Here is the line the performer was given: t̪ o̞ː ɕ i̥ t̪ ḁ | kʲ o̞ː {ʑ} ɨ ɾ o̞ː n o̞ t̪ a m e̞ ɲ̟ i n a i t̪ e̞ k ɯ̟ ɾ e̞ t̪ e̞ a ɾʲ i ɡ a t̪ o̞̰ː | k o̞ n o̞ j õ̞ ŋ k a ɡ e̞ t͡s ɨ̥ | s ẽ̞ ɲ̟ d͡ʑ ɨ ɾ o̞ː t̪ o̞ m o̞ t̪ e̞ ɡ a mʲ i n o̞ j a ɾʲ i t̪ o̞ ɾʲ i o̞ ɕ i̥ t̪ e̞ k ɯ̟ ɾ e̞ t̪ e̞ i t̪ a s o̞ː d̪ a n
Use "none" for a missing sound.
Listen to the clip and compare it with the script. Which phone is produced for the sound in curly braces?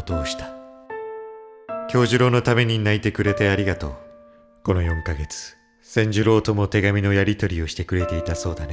ʑ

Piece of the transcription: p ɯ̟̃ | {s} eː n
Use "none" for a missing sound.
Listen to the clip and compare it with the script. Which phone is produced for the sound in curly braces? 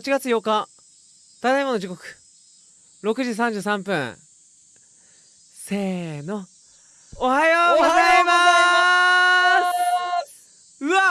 s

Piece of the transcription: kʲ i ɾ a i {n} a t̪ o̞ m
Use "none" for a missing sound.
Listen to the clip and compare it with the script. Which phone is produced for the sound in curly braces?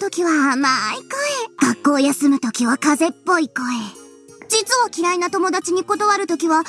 n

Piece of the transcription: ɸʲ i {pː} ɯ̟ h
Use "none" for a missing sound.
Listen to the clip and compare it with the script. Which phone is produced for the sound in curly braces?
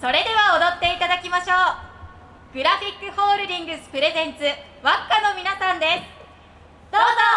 kː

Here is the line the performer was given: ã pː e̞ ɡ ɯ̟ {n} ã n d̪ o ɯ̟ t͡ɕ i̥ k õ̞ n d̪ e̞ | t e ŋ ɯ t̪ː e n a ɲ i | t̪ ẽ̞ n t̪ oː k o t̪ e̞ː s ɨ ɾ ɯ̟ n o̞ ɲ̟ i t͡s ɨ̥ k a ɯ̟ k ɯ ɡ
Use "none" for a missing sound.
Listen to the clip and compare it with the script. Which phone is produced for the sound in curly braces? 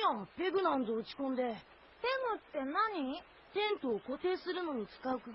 n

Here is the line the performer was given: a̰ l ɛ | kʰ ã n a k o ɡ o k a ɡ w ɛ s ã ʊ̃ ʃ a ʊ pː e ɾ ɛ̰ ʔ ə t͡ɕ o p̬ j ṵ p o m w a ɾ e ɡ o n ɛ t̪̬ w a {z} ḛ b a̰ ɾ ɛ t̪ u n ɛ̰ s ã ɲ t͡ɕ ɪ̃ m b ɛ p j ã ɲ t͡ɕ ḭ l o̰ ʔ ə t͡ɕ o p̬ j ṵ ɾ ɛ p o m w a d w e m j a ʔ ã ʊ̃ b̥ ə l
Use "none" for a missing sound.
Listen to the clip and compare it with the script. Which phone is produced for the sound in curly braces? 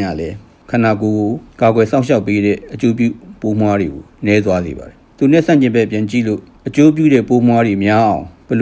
z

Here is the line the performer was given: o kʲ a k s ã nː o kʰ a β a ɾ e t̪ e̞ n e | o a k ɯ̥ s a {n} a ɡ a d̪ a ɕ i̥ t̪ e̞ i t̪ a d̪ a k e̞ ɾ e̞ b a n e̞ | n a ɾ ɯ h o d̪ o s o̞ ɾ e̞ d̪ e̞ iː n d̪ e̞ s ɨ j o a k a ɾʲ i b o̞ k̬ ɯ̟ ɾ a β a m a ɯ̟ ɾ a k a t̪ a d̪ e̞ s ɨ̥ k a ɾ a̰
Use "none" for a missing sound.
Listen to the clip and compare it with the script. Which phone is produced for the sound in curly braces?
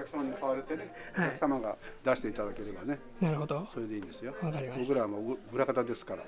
m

